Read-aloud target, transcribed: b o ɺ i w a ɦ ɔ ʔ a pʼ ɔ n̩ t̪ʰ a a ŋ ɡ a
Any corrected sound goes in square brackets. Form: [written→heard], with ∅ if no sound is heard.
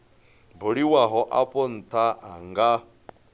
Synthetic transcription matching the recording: b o ɺ i w a ɦ ɔ ʔ a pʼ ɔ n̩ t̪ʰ a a ŋ ɡ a